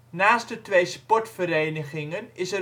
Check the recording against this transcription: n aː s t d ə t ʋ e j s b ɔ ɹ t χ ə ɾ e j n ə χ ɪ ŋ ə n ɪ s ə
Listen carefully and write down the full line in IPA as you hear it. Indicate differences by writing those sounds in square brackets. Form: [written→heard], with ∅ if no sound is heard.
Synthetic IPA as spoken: n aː s t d ə t ʋ e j s [b→p] ɔ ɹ t [χ→f] ə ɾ e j n ə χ ɪ ŋ ə n ɪ s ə